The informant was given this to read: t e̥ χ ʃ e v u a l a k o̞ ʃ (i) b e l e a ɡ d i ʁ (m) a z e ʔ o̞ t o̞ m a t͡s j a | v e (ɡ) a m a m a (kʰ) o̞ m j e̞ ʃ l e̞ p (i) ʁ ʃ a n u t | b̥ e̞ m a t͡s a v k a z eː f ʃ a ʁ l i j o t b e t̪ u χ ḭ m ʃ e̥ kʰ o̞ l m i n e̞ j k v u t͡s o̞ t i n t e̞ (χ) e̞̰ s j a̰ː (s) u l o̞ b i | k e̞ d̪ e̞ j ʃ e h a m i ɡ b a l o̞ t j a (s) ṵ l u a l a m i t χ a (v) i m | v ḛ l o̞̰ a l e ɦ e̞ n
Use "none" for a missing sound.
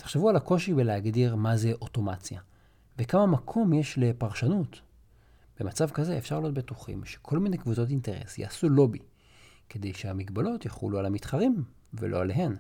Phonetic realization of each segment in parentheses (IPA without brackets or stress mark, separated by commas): i, m, k, kʰ, a, ʁ, s, χ, ʁ